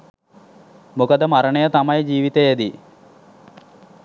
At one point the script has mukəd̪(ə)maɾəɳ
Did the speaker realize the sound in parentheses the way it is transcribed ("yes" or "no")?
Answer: yes